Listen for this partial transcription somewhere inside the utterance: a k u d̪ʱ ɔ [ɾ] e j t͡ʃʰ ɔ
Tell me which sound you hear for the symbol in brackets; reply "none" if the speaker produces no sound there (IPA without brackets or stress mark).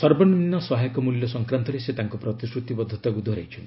ɾ